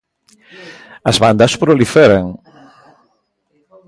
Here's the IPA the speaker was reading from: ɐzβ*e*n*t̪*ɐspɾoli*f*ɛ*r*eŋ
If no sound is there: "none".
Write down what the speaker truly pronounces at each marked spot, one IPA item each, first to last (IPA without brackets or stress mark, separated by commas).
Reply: a, d̪, f, ɾ